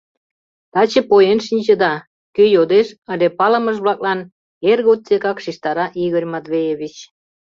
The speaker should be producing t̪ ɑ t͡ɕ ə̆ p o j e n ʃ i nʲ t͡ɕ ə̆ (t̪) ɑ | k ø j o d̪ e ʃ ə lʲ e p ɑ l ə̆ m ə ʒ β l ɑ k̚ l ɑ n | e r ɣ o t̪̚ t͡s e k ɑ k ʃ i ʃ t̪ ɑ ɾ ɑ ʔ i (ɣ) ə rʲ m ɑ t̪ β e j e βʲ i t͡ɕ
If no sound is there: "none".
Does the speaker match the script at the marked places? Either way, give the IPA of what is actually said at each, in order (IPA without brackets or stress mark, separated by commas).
d̪, ɣ